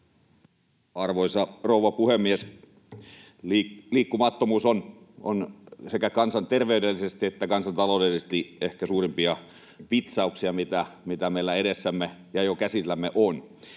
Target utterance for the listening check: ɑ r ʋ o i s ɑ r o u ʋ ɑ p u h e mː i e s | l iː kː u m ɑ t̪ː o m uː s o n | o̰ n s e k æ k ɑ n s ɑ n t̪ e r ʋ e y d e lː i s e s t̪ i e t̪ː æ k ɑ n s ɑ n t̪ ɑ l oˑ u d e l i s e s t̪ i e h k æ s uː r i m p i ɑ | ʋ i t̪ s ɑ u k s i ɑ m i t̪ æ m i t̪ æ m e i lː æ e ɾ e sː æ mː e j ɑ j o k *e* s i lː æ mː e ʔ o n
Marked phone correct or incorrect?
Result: incorrect